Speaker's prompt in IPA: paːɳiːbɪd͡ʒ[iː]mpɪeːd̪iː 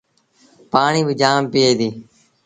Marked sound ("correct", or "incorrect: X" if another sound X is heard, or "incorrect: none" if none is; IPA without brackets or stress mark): incorrect: aː